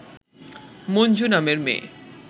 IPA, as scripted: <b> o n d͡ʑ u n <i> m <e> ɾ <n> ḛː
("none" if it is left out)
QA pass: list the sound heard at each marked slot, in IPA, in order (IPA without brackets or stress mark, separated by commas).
m, a, e, m